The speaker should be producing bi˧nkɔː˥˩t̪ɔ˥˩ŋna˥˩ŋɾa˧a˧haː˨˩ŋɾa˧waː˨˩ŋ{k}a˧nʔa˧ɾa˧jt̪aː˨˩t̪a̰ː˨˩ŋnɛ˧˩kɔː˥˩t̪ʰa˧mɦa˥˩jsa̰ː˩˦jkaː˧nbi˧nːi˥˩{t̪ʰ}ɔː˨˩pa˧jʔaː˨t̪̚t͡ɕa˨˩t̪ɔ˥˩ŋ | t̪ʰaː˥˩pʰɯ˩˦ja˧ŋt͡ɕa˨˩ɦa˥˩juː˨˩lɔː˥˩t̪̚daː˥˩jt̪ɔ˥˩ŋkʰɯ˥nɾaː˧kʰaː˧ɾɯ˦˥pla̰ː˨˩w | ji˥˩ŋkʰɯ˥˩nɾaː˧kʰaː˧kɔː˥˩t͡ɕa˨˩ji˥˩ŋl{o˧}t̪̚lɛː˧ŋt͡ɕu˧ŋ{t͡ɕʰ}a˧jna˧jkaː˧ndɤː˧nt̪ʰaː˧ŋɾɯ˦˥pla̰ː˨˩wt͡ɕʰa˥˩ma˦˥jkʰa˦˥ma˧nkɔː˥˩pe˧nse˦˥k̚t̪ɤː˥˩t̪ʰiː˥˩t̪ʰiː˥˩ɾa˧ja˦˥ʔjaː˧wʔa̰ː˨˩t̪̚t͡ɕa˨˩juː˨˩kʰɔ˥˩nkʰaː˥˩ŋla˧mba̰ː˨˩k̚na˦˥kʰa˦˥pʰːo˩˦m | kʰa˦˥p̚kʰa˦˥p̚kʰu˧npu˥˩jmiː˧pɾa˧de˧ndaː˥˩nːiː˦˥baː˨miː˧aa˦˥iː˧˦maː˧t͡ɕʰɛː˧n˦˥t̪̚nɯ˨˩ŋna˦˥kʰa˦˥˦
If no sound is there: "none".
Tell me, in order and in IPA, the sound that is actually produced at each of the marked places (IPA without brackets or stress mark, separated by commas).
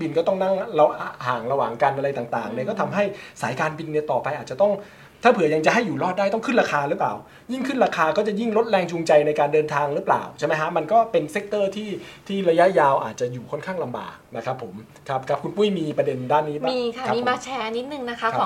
k, t̪, o˦˥, t͡ɕ